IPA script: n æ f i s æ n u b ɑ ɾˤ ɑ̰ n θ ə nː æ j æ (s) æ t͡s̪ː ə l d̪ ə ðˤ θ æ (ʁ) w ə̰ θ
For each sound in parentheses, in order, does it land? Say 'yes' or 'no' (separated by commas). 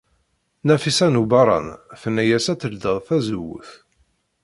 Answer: yes, no